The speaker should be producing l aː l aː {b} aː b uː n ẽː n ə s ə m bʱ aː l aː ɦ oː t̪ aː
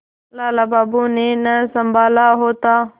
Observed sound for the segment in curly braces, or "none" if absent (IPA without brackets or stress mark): b